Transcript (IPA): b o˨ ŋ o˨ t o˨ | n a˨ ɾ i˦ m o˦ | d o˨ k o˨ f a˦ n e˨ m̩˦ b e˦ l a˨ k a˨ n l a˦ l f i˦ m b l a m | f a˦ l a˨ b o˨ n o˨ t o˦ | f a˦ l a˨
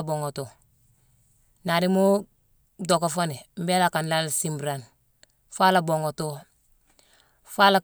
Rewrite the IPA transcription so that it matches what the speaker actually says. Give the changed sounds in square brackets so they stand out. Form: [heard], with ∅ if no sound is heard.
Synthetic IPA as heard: b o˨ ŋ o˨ t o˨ | n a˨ ɾ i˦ m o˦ | d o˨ k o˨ f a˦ n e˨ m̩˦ b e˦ l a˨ k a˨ n l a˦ l [s] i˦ m b [ɾ] a [n] | f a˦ l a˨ b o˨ [ŋ] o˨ t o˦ | f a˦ l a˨